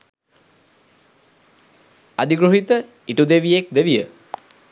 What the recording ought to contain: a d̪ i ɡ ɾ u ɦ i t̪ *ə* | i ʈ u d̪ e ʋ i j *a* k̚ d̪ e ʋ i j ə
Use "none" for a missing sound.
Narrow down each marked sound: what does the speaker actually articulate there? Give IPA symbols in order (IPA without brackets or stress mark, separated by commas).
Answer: ə, e